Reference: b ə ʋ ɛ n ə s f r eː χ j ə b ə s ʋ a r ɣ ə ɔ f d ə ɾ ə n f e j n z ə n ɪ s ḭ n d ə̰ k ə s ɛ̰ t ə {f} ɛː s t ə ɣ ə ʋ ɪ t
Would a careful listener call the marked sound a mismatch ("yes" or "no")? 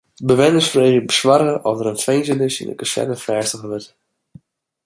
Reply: no